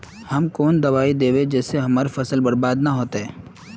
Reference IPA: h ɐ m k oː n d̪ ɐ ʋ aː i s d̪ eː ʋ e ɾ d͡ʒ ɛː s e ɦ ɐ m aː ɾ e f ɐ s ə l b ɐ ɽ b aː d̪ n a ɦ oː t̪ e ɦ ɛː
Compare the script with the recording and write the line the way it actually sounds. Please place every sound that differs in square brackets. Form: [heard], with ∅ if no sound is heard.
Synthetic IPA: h ɐ m k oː n d̪ ɐ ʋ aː i [∅] d̪ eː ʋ e [∅] d͡ʒ ɛː s e ɦ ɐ m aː ɾ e f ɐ s ə l b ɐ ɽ b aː d̪ n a ɦ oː t̪ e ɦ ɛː